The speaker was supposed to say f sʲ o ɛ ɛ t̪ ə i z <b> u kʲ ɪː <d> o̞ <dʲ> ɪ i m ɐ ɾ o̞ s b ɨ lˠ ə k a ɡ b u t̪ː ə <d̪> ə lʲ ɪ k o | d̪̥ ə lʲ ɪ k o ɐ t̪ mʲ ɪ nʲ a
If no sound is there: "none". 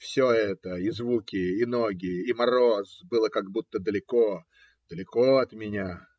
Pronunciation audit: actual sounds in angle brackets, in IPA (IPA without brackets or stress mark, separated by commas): v, n, ɡʲ, d̪